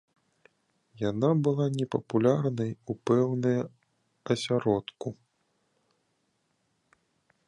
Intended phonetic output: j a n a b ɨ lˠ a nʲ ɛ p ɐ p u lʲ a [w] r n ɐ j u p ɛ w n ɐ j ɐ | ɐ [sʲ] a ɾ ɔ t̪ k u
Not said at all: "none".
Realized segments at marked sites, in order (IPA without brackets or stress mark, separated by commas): none, sʲ